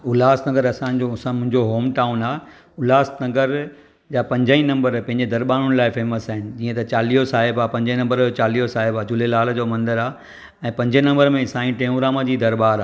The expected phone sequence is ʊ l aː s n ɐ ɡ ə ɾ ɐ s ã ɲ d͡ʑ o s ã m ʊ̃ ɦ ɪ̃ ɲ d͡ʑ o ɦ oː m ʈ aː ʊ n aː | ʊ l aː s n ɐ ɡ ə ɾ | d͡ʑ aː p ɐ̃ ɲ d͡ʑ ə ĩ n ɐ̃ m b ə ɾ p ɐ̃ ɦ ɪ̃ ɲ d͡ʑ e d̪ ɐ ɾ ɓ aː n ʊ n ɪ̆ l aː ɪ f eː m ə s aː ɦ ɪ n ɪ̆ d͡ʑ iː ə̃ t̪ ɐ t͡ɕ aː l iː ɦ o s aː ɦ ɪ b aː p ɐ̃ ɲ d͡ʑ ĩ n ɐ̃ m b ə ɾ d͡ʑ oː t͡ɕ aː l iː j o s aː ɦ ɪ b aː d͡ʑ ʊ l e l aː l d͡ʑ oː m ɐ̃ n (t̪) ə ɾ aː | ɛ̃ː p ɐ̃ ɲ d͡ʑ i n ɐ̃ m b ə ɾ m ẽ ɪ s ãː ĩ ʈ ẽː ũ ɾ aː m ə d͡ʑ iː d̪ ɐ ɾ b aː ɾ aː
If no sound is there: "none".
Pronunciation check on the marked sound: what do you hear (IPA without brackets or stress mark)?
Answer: d̪